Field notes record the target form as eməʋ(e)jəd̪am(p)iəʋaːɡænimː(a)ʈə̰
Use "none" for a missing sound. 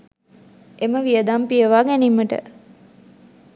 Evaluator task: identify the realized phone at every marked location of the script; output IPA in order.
i, p, ə

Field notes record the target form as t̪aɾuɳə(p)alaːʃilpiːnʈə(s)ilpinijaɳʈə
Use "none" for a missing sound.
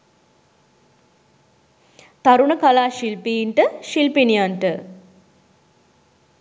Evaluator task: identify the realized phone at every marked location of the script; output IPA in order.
k, ʃ

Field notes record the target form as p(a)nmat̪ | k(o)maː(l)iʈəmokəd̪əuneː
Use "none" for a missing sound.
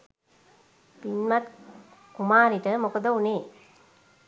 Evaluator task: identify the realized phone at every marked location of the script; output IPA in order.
i, u, ɾ

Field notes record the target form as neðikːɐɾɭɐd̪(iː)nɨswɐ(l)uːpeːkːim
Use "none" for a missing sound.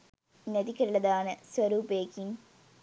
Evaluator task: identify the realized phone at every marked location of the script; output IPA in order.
aː, ɾ

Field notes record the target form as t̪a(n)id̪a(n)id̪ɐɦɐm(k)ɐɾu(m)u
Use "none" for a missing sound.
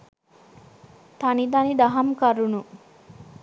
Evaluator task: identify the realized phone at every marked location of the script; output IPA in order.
n, n, k, n

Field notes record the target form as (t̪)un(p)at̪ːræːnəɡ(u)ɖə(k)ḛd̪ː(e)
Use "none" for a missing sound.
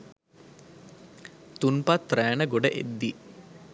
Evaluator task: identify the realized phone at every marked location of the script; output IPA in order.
t̪, p, o, ʔ, i

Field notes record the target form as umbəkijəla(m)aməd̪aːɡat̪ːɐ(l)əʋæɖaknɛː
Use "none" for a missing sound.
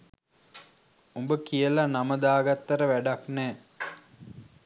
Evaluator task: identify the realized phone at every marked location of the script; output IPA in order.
n, ɾ

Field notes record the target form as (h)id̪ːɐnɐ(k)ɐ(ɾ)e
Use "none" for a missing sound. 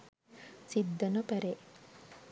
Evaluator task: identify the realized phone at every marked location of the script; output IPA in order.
s, p, ɾ

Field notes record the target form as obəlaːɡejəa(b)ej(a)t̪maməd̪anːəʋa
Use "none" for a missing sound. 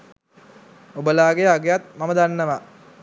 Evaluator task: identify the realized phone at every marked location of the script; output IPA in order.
ɡ, a

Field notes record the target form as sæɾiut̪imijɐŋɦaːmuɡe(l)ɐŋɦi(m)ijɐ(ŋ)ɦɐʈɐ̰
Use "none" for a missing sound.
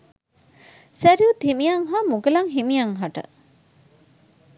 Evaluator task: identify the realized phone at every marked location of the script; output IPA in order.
l, m, ŋ

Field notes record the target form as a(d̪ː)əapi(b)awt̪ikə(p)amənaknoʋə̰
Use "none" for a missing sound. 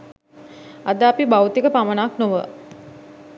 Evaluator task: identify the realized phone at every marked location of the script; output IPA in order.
d̪, b, p

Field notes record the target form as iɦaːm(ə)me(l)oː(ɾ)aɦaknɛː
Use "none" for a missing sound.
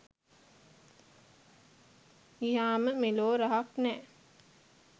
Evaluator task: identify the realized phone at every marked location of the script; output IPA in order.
ə, l, ɾ

